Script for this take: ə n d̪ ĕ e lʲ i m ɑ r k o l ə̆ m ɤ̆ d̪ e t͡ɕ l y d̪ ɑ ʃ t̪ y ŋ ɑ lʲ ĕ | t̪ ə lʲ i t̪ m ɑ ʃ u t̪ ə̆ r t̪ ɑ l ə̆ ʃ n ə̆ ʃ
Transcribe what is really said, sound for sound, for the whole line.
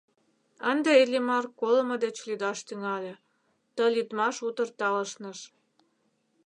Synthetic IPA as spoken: ə n d̪ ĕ e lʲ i m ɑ r k o l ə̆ m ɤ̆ d̪ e t͡ɕ l y d̪ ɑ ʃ t̪ y ŋ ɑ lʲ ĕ | t̪ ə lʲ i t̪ m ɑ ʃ u t̪ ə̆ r t̪ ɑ l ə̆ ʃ n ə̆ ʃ